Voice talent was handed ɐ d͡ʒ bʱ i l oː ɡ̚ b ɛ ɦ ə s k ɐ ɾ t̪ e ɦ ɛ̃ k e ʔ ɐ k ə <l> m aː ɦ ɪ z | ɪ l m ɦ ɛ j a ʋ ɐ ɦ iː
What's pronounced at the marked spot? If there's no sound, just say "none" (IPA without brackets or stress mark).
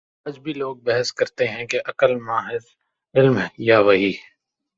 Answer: l